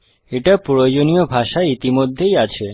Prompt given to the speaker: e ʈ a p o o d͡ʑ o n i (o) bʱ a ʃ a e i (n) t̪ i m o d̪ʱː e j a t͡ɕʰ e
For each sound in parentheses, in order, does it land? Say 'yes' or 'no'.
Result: yes, no

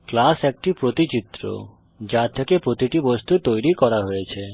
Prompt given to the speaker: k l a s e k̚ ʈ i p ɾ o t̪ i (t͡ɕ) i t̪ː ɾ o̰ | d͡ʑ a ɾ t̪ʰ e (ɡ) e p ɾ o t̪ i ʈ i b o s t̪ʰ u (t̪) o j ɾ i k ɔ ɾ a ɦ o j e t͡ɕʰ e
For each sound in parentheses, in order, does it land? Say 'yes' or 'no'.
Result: yes, no, yes

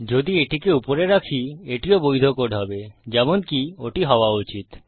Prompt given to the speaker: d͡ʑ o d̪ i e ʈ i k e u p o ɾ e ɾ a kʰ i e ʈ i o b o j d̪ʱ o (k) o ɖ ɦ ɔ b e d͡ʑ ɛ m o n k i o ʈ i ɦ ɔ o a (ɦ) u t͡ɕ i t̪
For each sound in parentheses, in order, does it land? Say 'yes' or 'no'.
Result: yes, no

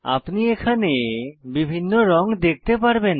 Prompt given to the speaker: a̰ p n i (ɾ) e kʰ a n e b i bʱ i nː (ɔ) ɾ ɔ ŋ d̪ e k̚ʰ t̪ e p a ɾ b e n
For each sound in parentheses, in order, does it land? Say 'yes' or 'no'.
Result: no, no

